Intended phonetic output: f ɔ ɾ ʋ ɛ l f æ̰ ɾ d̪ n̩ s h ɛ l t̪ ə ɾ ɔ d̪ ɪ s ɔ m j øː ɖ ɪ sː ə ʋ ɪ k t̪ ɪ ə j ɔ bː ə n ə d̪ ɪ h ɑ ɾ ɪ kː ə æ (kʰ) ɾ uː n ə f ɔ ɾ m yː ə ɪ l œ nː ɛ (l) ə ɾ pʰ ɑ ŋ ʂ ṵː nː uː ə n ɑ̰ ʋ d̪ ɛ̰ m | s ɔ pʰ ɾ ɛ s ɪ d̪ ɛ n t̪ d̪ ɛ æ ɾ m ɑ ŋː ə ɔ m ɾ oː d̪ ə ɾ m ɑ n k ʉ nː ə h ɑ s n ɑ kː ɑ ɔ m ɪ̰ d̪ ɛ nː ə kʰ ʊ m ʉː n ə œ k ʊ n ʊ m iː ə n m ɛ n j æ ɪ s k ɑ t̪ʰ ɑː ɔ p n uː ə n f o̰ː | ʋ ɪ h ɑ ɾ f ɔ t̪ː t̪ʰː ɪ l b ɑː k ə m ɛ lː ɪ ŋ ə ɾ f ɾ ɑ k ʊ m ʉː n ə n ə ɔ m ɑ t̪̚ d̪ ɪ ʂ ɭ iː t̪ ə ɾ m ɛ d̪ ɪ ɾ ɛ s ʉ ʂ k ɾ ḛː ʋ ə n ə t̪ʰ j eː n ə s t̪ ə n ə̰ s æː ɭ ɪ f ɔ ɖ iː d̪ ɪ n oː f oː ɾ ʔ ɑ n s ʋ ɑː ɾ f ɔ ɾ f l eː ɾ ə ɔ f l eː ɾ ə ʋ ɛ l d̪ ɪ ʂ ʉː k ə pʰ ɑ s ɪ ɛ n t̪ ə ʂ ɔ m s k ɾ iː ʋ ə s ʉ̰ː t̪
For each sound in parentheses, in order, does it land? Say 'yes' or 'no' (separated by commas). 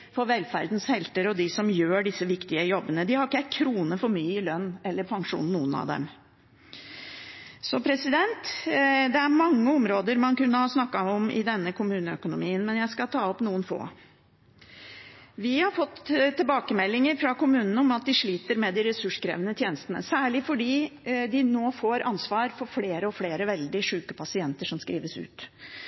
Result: yes, no